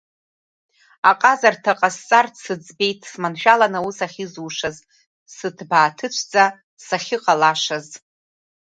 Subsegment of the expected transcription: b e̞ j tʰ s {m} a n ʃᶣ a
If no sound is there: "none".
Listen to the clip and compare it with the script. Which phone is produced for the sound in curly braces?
m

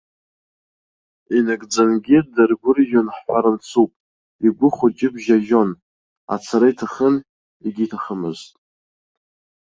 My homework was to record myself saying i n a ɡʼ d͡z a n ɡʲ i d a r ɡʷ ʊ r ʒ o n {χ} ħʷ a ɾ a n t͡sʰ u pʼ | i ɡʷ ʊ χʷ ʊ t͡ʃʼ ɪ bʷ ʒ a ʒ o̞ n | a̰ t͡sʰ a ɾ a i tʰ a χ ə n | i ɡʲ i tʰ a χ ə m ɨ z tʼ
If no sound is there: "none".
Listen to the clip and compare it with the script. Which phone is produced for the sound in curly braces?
ħ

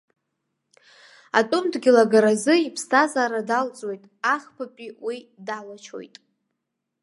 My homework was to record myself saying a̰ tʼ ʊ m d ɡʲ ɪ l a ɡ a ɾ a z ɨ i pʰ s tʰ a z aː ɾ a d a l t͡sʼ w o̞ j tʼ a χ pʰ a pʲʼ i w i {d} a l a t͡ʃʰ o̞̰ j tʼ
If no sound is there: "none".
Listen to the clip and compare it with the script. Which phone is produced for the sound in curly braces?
d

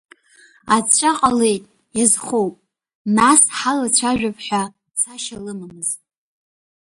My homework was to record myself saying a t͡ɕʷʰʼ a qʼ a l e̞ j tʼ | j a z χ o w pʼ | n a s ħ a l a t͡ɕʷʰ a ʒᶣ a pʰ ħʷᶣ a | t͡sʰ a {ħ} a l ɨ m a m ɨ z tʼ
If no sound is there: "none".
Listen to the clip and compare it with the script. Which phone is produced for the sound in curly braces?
ʃ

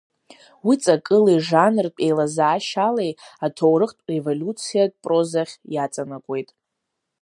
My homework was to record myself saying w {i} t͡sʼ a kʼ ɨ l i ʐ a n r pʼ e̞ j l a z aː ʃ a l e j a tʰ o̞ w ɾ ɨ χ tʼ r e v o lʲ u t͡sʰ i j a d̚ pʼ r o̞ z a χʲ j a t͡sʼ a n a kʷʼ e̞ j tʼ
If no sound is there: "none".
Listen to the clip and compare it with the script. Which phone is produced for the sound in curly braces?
i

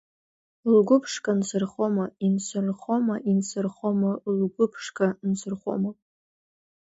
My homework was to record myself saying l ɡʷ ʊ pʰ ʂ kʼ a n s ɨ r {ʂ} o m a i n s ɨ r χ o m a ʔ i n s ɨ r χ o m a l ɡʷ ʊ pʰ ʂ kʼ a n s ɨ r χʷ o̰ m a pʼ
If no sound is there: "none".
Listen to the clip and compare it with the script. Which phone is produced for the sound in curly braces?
χ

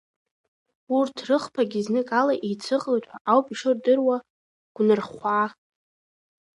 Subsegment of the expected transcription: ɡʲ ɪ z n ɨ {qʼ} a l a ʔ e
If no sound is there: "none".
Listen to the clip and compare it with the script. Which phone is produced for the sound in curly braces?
kʼ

